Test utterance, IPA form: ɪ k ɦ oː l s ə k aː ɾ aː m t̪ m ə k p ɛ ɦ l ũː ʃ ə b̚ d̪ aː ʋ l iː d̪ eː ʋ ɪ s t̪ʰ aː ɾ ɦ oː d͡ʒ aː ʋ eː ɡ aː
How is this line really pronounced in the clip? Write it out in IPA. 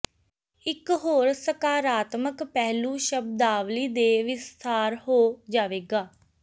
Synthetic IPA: ɪ k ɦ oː ɾ s ə k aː ɾ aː t̪ m ə k p ɛ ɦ l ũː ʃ ə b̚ d̪ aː ʋ l iː d̪ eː ʋ ɪ s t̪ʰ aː ɾ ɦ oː d͡ʒ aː ʋ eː ɡ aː